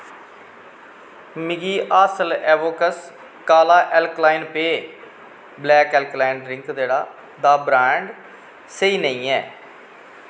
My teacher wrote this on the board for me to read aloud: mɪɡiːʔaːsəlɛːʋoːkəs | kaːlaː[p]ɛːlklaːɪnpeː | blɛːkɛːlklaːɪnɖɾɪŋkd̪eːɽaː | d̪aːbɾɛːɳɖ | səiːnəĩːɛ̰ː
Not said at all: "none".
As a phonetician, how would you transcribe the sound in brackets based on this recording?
ʔ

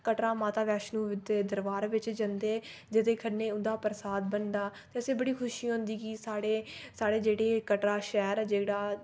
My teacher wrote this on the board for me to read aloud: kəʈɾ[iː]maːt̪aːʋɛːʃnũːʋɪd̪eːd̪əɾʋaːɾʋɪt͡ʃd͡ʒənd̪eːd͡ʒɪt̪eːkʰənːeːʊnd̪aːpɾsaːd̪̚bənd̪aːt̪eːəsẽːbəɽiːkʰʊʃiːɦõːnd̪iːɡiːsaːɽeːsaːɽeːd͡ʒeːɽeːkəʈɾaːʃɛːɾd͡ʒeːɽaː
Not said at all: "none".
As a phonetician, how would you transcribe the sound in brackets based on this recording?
aː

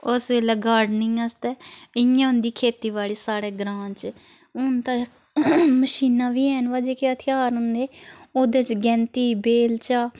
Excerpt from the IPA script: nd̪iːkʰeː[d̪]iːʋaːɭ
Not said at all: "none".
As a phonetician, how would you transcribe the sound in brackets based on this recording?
t̪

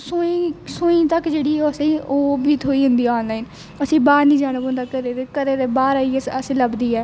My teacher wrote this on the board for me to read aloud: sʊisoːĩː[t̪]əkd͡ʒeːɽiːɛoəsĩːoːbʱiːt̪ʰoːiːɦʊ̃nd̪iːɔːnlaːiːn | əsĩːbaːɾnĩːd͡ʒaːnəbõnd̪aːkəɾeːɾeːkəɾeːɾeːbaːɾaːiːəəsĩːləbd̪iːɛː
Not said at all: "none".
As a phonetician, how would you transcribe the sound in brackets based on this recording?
t̪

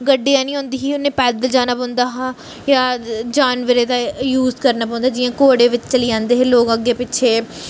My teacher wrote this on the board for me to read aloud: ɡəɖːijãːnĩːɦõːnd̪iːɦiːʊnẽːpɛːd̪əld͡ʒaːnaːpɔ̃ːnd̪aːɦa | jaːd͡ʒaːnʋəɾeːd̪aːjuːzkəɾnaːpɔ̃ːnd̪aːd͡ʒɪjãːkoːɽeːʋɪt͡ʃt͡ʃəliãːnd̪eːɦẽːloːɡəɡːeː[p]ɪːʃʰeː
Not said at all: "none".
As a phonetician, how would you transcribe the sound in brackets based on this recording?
p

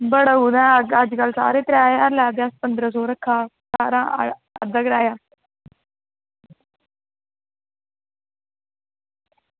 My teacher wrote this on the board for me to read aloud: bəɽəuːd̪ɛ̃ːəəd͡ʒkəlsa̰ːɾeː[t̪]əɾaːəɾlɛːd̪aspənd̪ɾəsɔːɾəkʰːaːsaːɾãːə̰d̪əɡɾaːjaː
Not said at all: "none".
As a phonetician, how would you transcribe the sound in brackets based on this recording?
t̪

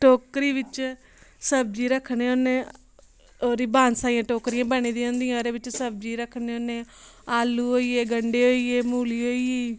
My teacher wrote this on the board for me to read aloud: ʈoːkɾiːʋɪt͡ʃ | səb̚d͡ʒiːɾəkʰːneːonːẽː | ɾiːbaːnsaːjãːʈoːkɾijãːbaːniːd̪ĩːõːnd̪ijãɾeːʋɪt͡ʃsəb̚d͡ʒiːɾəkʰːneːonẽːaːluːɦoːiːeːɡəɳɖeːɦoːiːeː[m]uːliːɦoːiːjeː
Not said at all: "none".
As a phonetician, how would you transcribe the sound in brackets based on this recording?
m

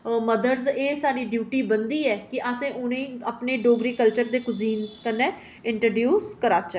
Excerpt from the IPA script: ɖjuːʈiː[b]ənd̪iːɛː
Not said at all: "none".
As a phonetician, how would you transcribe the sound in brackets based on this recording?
b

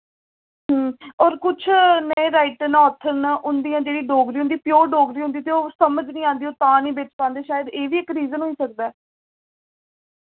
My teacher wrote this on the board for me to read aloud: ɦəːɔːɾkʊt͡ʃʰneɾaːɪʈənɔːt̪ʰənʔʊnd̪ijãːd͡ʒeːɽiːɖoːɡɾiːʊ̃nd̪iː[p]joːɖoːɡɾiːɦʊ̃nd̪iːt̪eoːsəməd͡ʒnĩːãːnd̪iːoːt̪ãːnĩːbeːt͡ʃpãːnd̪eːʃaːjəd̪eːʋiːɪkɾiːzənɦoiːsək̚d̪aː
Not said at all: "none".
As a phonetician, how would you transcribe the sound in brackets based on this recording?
p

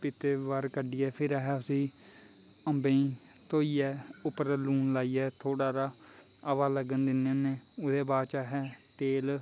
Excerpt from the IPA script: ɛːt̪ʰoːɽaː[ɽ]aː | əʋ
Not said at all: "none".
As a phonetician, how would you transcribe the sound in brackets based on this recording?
ɾ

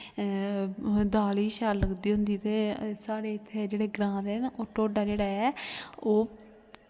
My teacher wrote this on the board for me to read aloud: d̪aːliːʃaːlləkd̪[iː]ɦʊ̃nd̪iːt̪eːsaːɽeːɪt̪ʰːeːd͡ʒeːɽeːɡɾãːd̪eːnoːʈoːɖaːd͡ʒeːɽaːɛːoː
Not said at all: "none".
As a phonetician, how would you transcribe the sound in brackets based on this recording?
iː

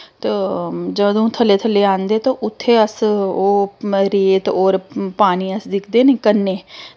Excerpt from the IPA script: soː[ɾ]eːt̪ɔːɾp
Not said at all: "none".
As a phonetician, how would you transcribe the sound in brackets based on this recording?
ɾ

